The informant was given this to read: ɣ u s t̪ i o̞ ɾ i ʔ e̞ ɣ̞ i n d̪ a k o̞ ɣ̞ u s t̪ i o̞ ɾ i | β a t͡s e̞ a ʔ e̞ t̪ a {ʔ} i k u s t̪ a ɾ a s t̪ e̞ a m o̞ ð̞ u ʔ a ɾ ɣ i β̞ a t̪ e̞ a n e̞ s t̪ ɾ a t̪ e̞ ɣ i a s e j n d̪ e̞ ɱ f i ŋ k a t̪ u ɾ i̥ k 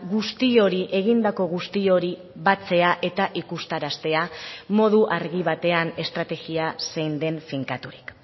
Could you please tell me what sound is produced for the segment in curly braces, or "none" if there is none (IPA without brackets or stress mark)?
ʔ